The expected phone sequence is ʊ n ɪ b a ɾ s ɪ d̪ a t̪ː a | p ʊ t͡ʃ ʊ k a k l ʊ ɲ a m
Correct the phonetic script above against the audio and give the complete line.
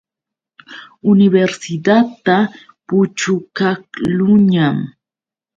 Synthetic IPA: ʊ n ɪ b e ɾ s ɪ d̪ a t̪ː a | p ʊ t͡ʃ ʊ k a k l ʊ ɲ a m